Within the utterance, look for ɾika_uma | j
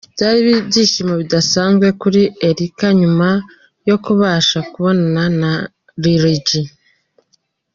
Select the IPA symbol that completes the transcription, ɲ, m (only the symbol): ɲ